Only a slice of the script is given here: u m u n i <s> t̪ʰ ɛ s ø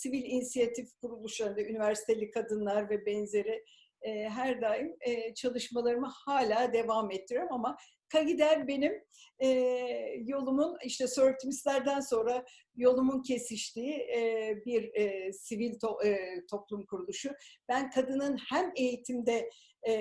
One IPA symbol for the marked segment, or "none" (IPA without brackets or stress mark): ʃ